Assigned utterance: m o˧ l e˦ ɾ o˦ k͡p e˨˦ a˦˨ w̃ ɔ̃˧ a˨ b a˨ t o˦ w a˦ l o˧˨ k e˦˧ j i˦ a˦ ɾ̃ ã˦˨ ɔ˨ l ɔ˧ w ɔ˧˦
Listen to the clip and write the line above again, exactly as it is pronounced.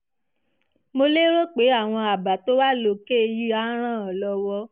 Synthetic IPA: m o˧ l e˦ ɾ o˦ k͡p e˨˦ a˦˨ w̃ ɔ̃˧ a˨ b a˨ t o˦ w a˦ l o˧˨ k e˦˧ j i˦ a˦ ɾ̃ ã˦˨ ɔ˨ l ɔ˧ w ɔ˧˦

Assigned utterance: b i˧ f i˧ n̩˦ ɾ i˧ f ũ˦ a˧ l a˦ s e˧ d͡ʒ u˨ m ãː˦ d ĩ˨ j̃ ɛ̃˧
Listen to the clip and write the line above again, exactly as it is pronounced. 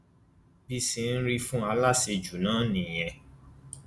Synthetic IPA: b i˧ s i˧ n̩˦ ɾ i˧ f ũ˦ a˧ l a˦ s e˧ d͡ʒ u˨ n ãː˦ n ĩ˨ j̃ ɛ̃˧

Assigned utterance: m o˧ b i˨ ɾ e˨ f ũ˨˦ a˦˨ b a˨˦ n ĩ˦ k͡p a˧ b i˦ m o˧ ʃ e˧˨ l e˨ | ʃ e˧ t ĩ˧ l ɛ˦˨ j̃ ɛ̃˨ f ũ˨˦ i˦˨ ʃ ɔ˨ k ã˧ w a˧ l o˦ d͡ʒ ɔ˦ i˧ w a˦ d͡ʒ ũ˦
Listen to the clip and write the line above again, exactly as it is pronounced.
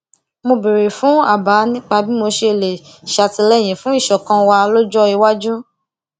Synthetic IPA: m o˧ b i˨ ɾ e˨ f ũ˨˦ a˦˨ b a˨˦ n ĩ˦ k͡p a˧ b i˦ m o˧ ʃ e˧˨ l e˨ | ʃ a˧ t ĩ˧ l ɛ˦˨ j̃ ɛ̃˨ f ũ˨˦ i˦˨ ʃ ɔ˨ k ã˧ w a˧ l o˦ d͡ʒ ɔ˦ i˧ w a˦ d͡ʒ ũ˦

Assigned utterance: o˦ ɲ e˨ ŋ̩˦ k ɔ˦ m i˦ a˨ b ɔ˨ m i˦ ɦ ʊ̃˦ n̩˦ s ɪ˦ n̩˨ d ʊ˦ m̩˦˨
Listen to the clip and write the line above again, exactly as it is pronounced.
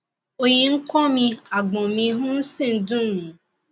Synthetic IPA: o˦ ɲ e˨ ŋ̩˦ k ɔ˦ m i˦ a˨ ɡ͡b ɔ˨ m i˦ ɦ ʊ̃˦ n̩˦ s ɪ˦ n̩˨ d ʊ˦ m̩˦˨

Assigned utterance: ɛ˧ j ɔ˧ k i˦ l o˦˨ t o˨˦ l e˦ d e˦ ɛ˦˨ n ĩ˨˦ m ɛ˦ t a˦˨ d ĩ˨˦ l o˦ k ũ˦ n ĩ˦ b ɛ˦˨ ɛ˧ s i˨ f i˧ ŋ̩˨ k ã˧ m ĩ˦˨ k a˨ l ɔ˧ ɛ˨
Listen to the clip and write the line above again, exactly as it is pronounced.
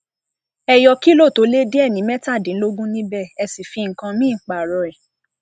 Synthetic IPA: ɛ˧ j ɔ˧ k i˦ l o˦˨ t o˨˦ l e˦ d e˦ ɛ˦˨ n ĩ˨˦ m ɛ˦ t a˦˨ d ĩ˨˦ l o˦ ɡ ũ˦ n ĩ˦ b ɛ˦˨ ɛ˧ s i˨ f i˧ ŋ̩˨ k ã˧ m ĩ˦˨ k͡p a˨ ɾ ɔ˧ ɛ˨

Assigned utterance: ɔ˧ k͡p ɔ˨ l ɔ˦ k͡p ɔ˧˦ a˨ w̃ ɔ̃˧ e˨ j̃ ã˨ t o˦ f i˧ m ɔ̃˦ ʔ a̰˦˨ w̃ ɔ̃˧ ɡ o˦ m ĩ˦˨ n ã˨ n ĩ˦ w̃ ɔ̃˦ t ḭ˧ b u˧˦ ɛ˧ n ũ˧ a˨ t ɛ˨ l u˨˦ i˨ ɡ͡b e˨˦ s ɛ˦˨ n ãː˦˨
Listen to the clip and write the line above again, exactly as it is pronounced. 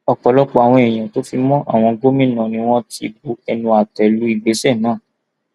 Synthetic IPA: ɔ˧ k͡p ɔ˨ l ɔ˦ k͡p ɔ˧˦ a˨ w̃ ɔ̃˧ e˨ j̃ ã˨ t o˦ f i˧ m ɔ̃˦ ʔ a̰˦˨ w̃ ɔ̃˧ ɡ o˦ m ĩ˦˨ n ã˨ n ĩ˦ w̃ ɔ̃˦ t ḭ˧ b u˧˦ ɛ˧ n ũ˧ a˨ t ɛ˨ l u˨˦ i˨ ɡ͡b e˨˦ s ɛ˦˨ n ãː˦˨

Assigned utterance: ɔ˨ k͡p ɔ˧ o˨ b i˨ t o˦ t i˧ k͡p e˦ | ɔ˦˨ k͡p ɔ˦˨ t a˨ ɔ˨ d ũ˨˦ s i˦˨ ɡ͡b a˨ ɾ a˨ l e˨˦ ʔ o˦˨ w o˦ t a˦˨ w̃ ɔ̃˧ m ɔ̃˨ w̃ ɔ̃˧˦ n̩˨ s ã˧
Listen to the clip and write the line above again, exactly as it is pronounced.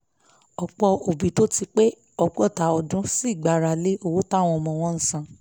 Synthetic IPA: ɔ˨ k͡p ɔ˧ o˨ b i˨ t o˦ t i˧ k͡p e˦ | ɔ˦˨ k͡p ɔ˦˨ t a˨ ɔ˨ d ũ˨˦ s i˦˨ ɡ͡b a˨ ɾ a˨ l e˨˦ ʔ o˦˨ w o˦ t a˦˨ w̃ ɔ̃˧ m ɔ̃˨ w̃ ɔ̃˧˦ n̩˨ s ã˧

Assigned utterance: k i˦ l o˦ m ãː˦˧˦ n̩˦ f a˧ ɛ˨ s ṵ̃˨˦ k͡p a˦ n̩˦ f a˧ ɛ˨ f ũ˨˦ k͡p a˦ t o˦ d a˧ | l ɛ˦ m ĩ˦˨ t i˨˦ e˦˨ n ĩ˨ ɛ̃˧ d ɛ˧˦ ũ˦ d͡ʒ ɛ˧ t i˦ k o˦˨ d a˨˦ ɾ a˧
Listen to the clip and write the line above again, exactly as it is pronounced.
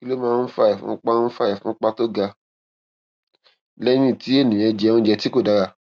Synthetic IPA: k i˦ l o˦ m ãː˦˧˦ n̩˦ f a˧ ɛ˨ f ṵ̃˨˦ k͡p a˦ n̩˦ f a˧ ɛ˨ f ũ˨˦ k͡p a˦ t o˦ ɡ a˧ | l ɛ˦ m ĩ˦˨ t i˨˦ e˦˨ n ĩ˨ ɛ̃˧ d͡ʒ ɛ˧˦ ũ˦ d͡ʒ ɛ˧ t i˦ k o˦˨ d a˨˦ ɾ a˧

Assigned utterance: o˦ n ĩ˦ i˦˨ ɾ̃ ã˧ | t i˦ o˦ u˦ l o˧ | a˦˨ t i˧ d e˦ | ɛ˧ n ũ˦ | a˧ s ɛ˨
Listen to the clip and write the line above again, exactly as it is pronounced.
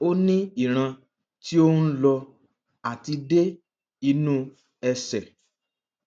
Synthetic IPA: o˦ n ĩ˦ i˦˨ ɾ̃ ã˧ | t i˦ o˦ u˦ l ɔ˧ | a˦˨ t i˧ d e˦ | i˧ n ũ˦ | ɛ˧ s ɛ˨

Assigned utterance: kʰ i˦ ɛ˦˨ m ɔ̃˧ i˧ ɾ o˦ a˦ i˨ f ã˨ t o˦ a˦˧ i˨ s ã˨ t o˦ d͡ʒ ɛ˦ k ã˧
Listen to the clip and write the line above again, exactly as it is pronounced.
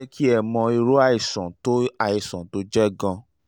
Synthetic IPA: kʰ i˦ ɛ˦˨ m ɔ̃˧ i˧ ɾ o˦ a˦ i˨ s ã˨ t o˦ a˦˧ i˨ s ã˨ t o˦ d͡ʒ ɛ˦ ɡ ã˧

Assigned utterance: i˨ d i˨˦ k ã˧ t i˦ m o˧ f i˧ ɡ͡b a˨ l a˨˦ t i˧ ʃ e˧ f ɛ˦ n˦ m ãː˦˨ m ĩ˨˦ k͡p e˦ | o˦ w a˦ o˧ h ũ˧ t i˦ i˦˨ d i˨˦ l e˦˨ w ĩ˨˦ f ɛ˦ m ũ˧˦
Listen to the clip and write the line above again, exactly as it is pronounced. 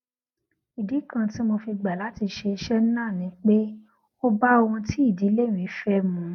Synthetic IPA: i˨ d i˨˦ k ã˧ t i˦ m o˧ f i˧ ɡ͡b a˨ l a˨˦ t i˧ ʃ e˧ ʃ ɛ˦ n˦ n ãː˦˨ n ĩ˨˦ k͡p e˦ | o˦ b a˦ o˧ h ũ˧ t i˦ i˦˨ d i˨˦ l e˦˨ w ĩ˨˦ f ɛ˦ m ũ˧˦

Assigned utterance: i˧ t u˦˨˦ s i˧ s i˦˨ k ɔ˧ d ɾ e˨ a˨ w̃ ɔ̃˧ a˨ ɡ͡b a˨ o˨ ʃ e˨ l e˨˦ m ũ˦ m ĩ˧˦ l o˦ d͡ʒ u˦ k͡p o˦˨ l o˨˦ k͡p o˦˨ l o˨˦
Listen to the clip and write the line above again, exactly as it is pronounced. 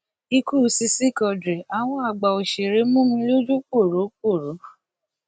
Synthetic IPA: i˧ k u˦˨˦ s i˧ s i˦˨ k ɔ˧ d ɾ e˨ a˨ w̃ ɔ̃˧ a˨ ɡ͡b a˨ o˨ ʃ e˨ ɾ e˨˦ m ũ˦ m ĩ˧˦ l o˦ d͡ʒ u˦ k͡p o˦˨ ɾ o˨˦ k͡p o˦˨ ɾ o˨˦

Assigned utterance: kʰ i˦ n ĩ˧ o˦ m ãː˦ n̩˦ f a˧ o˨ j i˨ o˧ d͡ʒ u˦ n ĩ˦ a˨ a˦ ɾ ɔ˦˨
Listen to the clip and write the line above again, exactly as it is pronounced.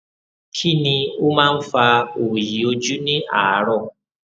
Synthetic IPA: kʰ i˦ n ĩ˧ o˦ m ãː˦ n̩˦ f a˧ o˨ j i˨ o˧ d͡ʒ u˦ n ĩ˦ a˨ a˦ ɾ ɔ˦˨

